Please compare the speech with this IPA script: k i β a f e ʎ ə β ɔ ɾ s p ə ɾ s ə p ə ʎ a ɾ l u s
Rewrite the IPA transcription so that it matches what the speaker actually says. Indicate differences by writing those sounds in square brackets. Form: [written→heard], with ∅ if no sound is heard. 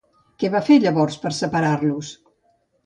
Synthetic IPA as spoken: k [i→ɛ] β a f e ʎ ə β ɔ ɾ s p ə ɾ s ə p ə [ʎ→ɾ] a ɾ l u s